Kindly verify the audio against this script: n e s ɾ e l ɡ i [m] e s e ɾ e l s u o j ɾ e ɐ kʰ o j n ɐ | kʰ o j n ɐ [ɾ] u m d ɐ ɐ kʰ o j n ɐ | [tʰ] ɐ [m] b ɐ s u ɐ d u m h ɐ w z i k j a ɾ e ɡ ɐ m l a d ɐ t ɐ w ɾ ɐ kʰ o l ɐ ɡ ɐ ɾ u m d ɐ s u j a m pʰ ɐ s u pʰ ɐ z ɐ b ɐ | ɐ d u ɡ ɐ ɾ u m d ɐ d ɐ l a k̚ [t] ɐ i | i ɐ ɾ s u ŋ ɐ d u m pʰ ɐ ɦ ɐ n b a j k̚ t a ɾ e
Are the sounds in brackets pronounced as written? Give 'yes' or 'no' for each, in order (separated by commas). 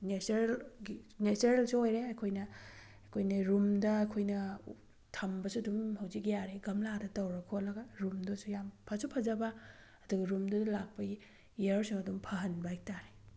no, yes, yes, yes, no